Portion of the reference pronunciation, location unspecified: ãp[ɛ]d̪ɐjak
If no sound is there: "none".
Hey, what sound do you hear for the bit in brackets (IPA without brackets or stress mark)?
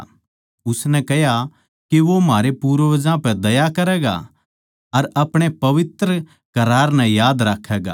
ɛ